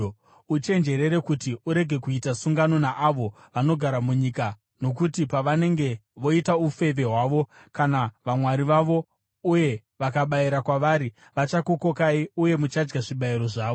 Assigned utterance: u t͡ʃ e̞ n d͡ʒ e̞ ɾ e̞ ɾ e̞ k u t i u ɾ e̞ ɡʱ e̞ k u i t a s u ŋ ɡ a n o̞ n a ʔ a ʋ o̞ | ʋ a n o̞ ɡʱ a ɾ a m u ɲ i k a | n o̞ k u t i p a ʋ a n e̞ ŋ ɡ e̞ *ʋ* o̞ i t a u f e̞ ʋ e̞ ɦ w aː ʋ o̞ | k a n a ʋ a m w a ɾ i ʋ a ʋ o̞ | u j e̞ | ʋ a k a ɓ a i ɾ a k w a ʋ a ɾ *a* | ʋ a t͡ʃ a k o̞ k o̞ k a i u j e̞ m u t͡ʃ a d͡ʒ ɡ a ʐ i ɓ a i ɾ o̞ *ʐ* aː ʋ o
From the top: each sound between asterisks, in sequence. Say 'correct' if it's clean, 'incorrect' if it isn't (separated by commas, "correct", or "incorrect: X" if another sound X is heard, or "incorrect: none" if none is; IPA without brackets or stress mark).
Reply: correct, incorrect: i, correct